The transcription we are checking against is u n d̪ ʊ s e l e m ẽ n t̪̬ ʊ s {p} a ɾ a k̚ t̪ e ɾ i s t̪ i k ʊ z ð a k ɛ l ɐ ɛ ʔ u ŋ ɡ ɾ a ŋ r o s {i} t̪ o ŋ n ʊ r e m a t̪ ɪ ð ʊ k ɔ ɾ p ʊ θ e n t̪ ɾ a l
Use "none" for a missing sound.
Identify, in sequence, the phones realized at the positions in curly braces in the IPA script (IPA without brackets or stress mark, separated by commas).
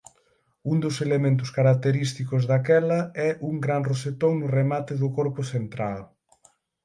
k, e